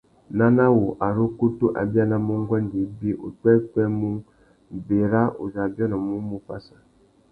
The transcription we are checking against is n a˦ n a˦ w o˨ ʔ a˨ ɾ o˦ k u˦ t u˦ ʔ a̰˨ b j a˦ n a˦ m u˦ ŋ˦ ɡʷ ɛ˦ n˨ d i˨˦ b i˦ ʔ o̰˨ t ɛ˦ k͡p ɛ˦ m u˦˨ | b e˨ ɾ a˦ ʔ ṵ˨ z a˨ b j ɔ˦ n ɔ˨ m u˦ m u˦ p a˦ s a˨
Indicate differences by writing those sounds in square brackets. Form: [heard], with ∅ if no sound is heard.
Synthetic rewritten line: n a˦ n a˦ w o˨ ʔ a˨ ɾ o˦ k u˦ t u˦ ʔ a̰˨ b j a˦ n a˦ m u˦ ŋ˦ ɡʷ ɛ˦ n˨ d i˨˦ b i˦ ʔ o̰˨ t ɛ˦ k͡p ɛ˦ m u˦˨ | b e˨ ɾ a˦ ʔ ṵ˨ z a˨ b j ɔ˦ n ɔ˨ m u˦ m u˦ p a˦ s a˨